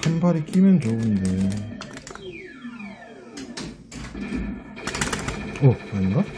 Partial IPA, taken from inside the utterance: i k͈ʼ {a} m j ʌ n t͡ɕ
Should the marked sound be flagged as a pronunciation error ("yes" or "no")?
yes